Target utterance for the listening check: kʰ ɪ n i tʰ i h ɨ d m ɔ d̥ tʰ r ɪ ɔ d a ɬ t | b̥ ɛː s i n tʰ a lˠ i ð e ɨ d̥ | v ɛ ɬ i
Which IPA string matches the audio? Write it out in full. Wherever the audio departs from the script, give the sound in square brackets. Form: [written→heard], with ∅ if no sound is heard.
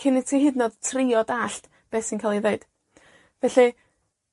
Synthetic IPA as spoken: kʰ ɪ n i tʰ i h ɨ d [m→n] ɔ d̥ tʰ r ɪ ɔ d a ɬ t | b̥ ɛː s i n [tʰ→kʰ] a lˠ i ð e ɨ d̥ | v ɛ ɬ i